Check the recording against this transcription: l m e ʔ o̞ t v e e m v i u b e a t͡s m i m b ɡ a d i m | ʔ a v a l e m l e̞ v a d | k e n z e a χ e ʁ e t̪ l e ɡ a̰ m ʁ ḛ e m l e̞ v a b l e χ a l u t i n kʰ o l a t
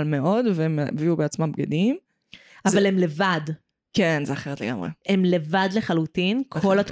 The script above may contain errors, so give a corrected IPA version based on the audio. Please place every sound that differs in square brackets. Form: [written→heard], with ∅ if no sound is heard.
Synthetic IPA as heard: l m e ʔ o̞ [t→d] v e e m v i u b e a t͡s m [i→a] m b ɡ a d i m | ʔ a v a l e m l e̞ v a d | k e n z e a χ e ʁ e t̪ l e ɡ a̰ m ʁ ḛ e m l e̞ v a [b→d] l e χ a l u t i n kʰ o l a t